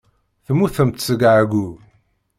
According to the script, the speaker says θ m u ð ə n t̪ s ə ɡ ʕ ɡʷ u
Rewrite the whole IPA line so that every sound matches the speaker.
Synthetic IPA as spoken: θ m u θ ə m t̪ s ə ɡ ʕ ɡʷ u